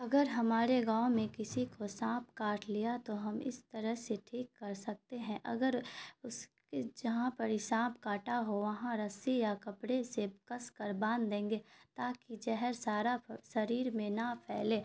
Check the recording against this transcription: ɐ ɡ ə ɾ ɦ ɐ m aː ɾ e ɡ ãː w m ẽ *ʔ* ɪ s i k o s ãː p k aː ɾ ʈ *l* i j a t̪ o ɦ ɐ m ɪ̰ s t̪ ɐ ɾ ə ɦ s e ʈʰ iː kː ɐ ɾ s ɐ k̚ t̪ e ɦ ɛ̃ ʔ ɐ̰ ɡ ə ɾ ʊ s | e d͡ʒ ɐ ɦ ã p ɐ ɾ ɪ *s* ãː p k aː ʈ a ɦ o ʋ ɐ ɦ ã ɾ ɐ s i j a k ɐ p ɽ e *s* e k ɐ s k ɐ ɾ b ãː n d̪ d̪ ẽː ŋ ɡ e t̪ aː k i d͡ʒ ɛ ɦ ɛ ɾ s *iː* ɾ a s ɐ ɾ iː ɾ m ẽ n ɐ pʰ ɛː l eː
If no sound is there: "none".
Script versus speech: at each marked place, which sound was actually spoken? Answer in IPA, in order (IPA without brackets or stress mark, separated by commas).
k, l, s, s, aː